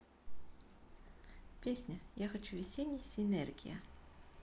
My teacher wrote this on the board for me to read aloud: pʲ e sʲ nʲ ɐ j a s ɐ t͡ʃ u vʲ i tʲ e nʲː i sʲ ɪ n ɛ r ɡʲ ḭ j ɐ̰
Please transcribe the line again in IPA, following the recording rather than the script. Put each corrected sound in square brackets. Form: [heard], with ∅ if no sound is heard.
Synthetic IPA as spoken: pʲ e sʲ nʲ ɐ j a [x] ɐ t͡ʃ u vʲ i [sʲ] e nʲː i sʲ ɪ n ɛ r ɡʲ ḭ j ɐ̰